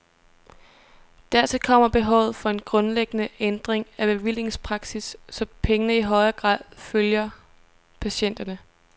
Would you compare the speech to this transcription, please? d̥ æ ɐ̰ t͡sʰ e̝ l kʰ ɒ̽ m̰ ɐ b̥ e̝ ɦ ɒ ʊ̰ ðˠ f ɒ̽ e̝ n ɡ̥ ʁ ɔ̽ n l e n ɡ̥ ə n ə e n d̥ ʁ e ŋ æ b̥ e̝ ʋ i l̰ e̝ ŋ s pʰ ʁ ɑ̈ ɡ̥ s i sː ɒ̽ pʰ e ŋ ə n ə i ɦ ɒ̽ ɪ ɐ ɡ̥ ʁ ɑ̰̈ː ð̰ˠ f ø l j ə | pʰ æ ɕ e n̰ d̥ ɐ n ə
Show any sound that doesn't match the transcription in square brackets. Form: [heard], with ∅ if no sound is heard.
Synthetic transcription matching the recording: d̥ æ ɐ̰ t͡sʰ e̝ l kʰ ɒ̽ m̰ ɐ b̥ e̝ ɦ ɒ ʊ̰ ðˠ f ɒ̽ e̝ n ɡ̥ ʁ ɔ̽ n l e [∅] ɡ̥ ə n ə e n d̥ ʁ e ŋ æ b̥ e̝ ʋ i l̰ e̝ ŋ s pʰ ʁ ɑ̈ ɡ̥ s i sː ɒ̽ pʰ e ŋ ə n ə i ɦ ɒ̽ ɪ ɐ ɡ̥ ʁ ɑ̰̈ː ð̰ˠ f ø l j [ɐ] | pʰ æ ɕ e n̰ d̥ ɐ n ə

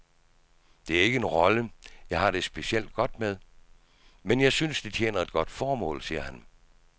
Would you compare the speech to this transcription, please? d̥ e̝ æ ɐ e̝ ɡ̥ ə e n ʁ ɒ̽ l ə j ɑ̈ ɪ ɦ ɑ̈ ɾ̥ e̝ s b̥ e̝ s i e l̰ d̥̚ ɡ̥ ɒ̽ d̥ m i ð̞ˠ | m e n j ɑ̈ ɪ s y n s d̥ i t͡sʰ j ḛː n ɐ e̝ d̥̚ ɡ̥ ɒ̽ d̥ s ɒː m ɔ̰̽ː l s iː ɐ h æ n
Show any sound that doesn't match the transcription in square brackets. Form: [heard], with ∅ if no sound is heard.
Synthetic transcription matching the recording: d̥ e̝ æ ɐ e̝ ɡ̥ ə e n ʁ ɒ̽ l ə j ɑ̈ ɪ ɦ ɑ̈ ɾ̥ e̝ s b̥ e̝ s i e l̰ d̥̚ ɡ̥ ɒ̽ d̥ m [e] ð̞ˠ | m e n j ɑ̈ ɪ s y n s d̥ i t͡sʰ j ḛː n ɐ e̝ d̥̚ ɡ̥ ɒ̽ d̥ [f] ɒː m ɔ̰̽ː l s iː ɐ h æ n

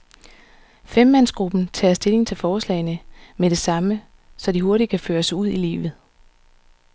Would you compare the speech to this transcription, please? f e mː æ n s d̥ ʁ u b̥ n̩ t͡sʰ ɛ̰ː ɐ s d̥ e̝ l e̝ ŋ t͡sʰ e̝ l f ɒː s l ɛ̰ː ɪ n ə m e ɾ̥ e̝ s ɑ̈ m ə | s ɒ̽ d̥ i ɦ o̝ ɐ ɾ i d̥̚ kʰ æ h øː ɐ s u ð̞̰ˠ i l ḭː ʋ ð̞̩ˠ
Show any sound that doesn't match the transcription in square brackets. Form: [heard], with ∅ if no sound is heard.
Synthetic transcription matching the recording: f e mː æ n s [ɡ̥] ʁ u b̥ n̩ t͡sʰ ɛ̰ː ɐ s d̥ e̝ l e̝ ŋ t͡sʰ e̝ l f ɒː s l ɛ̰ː ɪ n ə m e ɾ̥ e̝ s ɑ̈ m ə | s ɒ̽ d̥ i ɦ o̝ ɐ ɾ i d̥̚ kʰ æ [f] øː ɐ s u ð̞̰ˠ i l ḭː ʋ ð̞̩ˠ

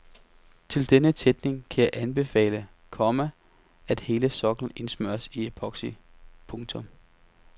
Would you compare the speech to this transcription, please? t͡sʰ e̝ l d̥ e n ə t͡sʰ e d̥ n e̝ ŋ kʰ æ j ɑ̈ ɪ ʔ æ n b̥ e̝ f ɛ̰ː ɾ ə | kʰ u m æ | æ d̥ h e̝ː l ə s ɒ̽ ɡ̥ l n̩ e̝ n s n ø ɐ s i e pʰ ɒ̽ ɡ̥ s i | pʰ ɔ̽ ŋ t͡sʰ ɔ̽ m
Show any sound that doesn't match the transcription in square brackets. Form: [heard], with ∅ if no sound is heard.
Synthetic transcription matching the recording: t͡sʰ e̝ l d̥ e n ə t͡sʰ e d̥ n e̝ ŋ kʰ æ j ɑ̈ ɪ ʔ æ n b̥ e̝ f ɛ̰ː [l] ə | kʰ [ɒ] m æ | æ d̥ h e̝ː l ə s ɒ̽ ɡ̥ l n̩ e̝ n s [m] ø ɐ s i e pʰ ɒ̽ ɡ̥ s i | pʰ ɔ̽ ŋ t͡sʰ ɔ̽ m

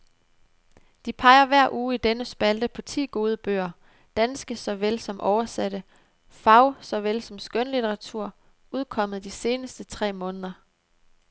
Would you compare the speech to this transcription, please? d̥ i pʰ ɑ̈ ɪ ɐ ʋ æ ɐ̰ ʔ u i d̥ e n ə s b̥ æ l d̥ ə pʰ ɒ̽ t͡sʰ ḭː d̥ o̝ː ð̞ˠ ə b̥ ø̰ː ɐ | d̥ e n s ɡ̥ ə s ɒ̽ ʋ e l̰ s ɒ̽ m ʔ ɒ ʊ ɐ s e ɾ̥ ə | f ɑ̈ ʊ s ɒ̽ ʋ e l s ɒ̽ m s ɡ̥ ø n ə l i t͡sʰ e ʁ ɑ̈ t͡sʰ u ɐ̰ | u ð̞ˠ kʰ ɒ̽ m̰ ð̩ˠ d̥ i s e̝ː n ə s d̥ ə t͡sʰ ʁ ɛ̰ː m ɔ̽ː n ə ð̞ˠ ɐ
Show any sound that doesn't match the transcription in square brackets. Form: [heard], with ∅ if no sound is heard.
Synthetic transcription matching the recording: d̥ i pʰ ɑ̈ ɪ ɐ ʋ æ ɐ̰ ʔ [uː] i d̥ e n ə s b̥ æ l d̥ ə pʰ ɒ̽ t͡sʰ ḭː [ɡ̥] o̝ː ð̞ˠ ə b̥ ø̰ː ɐ | d̥ [æ] n s ɡ̥ ə s ɒ̽ ʋ e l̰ s ɒ̽ m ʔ ɒ ʊ ɐ s [æ] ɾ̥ ə | f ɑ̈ ʊ s ɒ̽ ʋ e l s ɒ̽ m s ɡ̥ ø n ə l i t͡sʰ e ʁ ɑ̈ t͡sʰ u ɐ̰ | u ð̞ˠ kʰ ɒ̽ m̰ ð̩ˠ d̥ i s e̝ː n ə s d̥ ə t͡sʰ ʁ ɛ̰ː m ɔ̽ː n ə ð̞ˠ ɐ

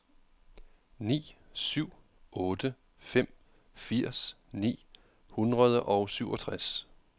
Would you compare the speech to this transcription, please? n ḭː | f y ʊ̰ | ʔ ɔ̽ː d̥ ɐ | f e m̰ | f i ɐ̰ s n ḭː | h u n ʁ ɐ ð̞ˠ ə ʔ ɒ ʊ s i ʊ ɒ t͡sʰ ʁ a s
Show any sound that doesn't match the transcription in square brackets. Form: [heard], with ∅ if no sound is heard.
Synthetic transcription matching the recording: n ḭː | [s] y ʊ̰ | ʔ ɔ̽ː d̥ [ə] | f e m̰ | f i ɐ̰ s n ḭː | h u n ʁ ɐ ð̞ˠ ə ʔ ɒ ʊ s [y] ʊ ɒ t͡sʰ ʁ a s

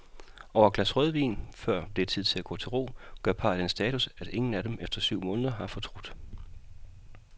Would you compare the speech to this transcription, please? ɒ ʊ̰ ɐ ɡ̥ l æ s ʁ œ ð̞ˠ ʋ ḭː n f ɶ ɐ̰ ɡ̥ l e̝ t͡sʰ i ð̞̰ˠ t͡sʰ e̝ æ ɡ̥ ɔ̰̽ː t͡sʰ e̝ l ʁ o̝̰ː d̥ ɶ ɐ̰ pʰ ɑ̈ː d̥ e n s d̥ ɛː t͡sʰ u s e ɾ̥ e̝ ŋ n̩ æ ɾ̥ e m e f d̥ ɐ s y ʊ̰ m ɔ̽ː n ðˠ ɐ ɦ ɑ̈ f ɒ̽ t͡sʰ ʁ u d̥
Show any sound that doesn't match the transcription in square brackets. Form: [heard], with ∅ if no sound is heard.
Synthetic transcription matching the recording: ɒ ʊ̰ ɐ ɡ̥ l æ s ʁ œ ð̞ˠ ʋ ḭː n f ɶ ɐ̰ [b̥] l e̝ t͡sʰ i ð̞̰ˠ t͡sʰ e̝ æ ɡ̥ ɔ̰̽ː t͡sʰ e̝ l ʁ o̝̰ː [ɡ̥] ɶ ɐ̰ pʰ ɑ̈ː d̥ e n s d̥ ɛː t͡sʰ u s [æ] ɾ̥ e̝ ŋ n̩ æ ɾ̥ e m e f d̥ ɐ s y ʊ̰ m ɔ̽ː n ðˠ ɐ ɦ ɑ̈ f ɒ̽ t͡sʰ ʁ u d̥

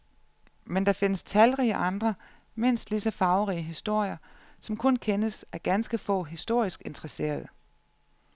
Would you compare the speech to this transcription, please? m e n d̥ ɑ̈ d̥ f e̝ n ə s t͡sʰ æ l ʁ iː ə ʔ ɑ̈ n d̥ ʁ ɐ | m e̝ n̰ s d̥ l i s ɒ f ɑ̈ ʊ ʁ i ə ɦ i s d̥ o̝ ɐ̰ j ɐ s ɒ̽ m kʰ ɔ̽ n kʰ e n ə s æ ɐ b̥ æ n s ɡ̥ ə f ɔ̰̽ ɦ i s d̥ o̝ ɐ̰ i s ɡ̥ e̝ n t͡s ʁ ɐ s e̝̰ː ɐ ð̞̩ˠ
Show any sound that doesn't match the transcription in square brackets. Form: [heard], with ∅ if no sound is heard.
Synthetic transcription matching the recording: m e n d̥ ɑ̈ [∅] f e̝ n ə s t͡sʰ æ l ʁ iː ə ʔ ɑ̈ n d̥ ʁ ɐ | m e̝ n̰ s d̥ l i s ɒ f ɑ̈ ʊ ʁ i ə ɦ i s d̥ o̝ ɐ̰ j ɐ s ɒ̽ m kʰ ɔ̽ n kʰ e n ə s æ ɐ [ɡ̥] æ n s ɡ̥ ə f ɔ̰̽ ɦ i s d̥ o̝ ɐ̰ i s ɡ̥ e̝ n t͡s ʁ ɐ s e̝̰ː ɐ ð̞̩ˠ

